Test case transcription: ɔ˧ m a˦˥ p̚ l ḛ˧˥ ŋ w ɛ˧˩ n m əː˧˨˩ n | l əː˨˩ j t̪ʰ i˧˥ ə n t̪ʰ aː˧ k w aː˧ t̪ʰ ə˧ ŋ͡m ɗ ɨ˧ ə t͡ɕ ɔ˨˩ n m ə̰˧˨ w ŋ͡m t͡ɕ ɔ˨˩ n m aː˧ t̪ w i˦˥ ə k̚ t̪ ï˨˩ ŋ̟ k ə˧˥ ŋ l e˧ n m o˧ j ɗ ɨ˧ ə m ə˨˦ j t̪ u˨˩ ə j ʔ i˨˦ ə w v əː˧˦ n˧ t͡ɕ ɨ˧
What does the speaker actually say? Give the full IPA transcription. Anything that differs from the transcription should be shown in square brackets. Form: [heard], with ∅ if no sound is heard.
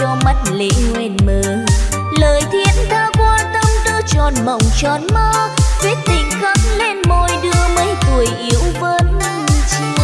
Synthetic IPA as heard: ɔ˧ m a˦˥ [t̚] l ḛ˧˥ ŋ w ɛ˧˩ n m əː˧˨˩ n | l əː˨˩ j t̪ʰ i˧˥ ə n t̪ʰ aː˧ k w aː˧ [t̪] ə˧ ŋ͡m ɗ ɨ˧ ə t͡ɕ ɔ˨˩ n m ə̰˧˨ w ŋ͡m t͡ɕ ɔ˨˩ n m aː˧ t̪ w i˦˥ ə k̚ t̪ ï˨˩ ŋ̟ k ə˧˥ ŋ l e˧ n m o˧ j ɗ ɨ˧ ə m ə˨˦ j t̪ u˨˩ ə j ʔ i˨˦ ə w v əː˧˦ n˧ t͡ɕ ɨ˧